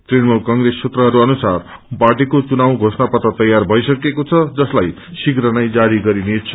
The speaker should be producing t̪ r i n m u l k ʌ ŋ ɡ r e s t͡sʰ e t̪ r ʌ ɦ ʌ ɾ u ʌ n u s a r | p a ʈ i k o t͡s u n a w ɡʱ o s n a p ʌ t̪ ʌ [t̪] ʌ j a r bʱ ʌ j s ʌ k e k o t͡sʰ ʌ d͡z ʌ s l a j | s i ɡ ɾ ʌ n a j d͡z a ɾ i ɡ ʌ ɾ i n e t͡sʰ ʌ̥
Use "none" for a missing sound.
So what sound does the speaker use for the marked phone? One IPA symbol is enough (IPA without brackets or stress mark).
t̪